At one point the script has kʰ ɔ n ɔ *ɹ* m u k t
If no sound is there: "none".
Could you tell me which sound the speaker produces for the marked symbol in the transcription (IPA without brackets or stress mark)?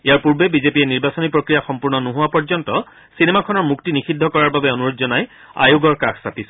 ɹ